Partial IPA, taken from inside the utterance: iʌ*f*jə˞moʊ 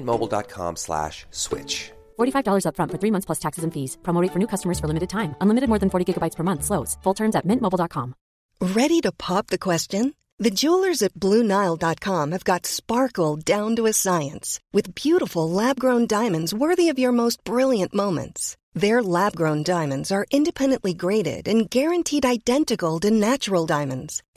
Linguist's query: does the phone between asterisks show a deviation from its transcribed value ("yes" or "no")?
yes